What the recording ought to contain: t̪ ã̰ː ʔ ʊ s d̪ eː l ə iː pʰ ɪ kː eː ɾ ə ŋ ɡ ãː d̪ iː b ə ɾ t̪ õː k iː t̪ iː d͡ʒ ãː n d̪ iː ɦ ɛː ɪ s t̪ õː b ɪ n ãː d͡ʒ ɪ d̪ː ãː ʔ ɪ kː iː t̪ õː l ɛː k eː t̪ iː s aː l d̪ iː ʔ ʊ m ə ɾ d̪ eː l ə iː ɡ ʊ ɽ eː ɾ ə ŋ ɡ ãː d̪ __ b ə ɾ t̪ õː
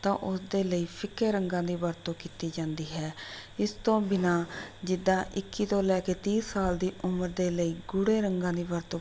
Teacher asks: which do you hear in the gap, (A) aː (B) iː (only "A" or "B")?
B